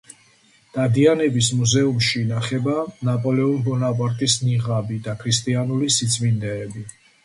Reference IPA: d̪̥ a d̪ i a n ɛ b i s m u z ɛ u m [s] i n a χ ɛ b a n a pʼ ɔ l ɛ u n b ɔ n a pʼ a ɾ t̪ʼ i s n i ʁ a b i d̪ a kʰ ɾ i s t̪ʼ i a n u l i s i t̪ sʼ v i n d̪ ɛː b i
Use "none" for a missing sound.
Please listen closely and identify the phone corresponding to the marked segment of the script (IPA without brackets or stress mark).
ʃ